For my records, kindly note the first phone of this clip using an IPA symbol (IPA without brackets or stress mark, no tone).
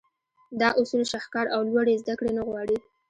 d̪